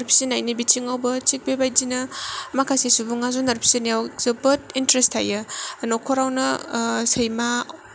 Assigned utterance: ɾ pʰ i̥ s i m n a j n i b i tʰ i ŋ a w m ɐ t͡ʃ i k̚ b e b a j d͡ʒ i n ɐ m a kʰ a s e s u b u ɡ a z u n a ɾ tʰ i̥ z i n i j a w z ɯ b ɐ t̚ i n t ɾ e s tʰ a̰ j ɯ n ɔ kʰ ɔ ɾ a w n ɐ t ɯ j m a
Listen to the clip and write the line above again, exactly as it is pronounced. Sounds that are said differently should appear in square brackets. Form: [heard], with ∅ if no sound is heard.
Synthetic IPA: ɾ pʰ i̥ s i [∅] n a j n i b i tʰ i ŋ a w [b] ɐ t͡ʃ i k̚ b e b a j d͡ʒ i n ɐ m a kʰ a s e s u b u [ŋ] a z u n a ɾ [pʰ] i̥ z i n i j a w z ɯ b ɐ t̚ i n t ɾ e s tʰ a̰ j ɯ n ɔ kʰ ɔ ɾ a w n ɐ [s] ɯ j m a